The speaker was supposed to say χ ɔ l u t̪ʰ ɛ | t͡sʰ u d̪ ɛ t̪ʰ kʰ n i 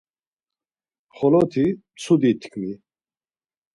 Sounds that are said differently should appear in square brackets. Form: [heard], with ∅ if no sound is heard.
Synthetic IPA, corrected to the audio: χ ɔ l [ɔ] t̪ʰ [i] | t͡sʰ u d̪ [i] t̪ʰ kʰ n i